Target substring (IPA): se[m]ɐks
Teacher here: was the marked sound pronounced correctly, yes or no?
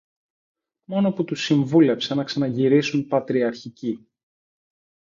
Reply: no